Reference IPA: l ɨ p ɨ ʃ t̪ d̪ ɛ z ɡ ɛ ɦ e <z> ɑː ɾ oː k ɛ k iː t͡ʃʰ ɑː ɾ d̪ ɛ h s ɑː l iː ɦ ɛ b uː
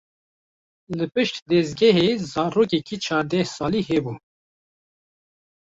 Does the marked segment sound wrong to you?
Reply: no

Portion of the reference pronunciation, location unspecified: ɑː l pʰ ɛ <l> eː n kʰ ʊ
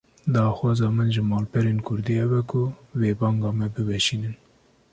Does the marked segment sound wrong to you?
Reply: yes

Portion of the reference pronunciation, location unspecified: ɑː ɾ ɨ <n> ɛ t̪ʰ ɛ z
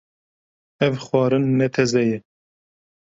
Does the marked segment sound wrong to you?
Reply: yes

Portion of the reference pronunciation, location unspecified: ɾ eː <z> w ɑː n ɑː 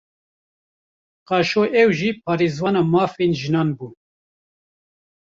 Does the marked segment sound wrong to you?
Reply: no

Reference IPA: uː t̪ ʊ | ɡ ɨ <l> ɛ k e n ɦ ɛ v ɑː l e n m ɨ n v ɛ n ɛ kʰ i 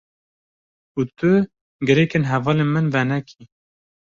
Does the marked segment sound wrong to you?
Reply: yes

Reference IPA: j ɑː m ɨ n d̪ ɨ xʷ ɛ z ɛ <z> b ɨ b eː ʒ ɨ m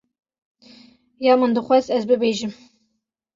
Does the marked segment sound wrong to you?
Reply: no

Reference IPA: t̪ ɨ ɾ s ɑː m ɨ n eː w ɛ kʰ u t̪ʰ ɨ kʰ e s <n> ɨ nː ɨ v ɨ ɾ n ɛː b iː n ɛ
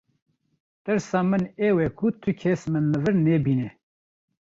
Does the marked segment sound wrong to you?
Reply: yes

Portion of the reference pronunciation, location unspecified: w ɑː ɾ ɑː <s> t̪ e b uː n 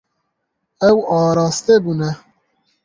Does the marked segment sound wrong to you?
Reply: no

